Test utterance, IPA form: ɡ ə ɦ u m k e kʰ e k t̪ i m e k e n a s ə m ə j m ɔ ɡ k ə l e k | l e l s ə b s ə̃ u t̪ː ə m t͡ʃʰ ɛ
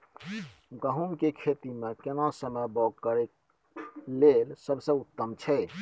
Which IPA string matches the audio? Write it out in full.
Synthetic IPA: ɡ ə ɦ u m k e kʰ e t̪ i m e k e n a s ə m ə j b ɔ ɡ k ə ɾ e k | l e l s ə b s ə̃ u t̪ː ə m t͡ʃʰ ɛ